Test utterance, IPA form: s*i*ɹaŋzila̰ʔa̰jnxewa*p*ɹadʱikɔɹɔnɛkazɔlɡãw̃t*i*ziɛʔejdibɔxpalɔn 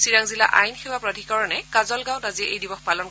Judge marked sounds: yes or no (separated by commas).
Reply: yes, yes, no